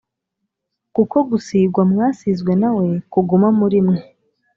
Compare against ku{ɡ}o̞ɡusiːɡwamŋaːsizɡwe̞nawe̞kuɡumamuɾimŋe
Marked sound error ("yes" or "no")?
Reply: yes